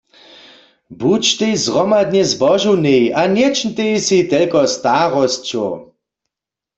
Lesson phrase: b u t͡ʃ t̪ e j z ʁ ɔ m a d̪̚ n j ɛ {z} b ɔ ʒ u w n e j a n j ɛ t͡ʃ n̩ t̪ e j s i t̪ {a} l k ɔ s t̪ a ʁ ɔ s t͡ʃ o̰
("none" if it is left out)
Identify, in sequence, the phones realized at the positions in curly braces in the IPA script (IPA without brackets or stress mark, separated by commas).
z, ɛ